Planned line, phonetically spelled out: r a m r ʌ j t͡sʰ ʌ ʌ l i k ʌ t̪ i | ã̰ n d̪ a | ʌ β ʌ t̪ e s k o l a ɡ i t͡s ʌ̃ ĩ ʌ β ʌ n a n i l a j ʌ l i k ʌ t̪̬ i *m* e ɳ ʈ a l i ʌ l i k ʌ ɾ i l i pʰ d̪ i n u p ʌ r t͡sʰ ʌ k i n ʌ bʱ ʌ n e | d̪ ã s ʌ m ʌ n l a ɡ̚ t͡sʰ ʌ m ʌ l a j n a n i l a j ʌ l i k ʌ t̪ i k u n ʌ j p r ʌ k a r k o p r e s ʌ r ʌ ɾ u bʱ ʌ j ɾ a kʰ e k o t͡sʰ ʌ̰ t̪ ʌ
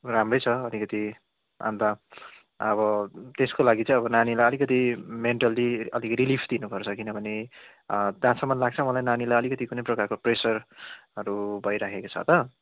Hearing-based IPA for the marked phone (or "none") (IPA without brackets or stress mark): m